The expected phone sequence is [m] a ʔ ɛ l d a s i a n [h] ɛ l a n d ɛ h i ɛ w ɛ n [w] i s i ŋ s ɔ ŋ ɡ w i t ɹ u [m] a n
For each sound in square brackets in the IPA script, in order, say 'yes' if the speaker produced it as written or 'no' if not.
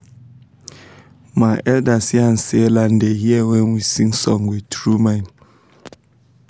yes, no, yes, yes

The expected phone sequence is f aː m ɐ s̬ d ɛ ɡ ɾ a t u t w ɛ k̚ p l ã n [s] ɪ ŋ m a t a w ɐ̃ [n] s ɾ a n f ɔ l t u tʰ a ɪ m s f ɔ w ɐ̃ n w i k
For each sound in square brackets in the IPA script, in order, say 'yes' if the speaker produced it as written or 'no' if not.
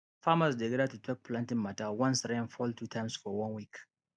no, yes

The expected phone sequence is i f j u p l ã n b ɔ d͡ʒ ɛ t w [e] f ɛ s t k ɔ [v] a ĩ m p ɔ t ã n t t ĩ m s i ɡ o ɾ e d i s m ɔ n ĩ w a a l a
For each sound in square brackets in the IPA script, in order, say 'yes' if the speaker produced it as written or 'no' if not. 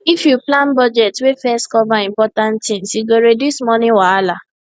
yes, yes

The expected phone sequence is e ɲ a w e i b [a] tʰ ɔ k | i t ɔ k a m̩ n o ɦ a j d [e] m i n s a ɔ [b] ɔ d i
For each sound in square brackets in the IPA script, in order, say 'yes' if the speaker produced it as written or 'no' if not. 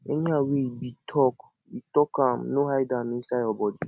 no, no, yes

